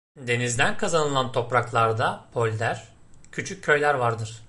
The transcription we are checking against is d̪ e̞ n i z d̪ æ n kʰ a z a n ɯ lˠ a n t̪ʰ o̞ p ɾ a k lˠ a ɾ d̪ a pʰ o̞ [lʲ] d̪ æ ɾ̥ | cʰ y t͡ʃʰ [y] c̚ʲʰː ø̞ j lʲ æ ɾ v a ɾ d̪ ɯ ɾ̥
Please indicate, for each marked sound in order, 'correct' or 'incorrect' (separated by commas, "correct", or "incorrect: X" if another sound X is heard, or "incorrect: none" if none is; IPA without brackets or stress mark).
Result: correct, correct